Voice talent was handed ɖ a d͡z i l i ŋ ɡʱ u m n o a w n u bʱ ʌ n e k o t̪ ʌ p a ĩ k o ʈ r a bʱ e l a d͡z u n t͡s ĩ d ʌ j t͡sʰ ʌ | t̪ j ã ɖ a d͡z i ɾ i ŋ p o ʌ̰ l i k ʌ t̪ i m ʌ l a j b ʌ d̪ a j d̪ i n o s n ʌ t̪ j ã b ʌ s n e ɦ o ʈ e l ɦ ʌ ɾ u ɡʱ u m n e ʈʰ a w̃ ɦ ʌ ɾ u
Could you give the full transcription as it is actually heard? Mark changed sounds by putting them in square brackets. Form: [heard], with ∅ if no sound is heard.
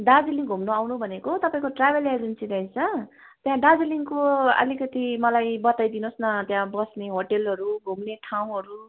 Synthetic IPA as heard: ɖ a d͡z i l i ŋ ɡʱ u m n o a w n u bʱ ʌ n e k o t̪ ʌ p a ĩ k o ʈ r a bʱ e l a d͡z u n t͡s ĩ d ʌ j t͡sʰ ʌ | t̪ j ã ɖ a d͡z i [l] i ŋ [k] o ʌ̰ l i k ʌ t̪ i m ʌ l a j b ʌ [t̪] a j d̪ i n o s n ʌ t̪ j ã b ʌ s n e ɦ o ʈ e l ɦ ʌ ɾ u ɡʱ u m n e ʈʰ a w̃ ɦ ʌ ɾ u